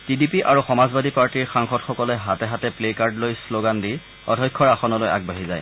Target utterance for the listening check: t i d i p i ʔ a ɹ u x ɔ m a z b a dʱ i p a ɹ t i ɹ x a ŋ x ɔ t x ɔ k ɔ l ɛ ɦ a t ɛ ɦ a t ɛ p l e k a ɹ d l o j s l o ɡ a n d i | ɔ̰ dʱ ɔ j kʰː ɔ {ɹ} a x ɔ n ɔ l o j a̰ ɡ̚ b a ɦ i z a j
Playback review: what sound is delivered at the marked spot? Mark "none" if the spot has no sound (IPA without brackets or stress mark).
ɹ